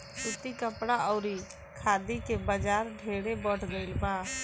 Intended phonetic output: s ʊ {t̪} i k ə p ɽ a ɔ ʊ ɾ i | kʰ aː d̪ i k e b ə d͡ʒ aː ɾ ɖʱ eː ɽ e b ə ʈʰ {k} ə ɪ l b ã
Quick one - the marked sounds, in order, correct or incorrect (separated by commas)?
correct, incorrect